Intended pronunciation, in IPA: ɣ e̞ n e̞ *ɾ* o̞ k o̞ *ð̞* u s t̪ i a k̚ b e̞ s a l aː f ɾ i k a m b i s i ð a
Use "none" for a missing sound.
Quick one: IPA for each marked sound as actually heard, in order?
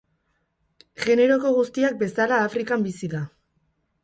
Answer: ɾ, ɣ̞

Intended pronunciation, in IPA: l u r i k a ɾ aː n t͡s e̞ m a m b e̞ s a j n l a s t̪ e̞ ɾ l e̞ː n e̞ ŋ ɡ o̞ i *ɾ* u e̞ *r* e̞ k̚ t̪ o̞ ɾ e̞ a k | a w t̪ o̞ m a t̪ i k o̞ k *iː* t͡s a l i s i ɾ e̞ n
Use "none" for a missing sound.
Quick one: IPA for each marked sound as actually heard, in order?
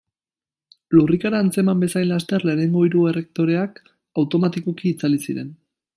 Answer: ɾ, r, iː

